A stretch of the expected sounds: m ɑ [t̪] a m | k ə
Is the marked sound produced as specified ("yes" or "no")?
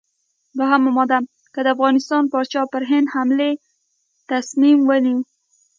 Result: no